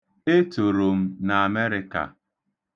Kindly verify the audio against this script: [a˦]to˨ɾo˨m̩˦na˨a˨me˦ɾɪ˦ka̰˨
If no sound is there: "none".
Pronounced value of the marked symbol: e˦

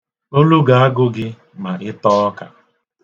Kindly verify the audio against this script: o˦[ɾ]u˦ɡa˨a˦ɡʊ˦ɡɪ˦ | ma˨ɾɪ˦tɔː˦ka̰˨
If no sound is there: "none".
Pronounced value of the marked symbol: l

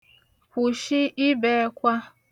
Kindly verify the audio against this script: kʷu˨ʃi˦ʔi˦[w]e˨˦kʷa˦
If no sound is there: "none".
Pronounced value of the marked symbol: b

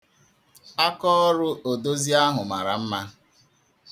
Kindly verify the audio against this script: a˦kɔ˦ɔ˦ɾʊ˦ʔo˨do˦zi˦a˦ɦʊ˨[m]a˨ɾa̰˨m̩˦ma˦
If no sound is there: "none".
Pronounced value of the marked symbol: m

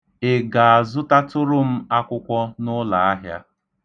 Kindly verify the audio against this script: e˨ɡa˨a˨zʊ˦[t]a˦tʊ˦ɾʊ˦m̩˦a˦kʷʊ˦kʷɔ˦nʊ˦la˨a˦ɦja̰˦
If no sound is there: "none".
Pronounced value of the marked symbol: t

